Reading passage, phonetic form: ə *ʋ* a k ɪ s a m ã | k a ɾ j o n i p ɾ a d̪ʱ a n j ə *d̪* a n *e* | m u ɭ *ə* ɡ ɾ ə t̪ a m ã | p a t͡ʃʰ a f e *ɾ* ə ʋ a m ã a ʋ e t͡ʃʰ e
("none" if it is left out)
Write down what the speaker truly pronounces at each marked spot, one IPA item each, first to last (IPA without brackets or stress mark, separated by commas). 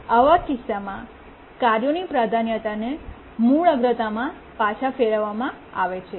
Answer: ʋ, t̪, e, ə, ɭ